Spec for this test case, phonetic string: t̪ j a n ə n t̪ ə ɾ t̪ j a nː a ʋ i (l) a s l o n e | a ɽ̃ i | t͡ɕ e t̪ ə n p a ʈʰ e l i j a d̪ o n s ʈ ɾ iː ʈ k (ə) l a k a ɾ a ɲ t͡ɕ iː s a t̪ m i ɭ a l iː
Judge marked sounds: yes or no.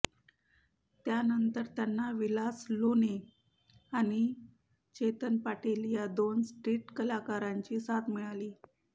yes, yes

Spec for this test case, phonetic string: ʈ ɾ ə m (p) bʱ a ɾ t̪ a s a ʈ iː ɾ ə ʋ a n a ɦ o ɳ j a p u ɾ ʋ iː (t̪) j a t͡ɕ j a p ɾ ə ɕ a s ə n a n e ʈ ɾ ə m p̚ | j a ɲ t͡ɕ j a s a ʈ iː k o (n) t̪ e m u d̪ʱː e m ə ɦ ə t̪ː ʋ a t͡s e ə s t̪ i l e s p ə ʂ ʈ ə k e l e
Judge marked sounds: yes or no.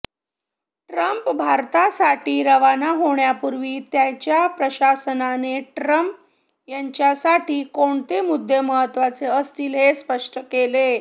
yes, yes, no

